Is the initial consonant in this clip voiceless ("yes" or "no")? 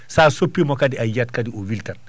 yes